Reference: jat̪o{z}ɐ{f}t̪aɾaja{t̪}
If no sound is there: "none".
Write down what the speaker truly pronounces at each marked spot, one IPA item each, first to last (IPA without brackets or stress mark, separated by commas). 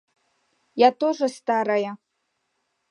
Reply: ʐ, s, none